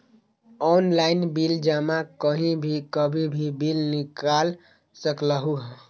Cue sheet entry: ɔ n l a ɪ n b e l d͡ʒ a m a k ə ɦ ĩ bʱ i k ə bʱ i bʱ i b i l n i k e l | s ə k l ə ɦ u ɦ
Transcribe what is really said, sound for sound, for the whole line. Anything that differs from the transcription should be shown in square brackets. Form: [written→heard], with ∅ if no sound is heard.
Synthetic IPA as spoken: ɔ n l a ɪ n b [e→i] l d͡ʒ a m a k ə ɦ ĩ bʱ i k ə bʱ i bʱ i b i l n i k [e→a] l | s ə k l ə ɦ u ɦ